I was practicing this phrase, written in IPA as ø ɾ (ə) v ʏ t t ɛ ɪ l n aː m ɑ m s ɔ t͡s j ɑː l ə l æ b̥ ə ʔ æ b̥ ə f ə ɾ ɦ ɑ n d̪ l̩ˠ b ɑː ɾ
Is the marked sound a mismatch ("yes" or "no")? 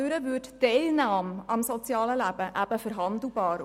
no